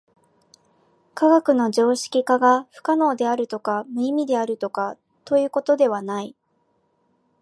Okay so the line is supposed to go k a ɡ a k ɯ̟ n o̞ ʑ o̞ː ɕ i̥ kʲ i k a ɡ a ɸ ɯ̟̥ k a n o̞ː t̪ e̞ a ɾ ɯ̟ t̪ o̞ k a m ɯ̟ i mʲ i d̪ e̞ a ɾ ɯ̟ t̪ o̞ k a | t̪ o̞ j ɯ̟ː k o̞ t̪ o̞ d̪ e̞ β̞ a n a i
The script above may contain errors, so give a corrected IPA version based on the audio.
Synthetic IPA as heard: k a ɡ a k ɯ̟ n o̞ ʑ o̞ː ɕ i̥ kʲ i k a ɡ a ɸ ɯ̟̥ k a n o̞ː d̪ e̞ a ɾ ɯ̟ t̪ o̞ k a m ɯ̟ i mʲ i d̪ e̞ a ɾ ɯ̟ t̪ o̞ k a | t̪ o̞ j ɯ̟ː k o̞ t̪ o̞ d̪ e̞ β̞ a n a i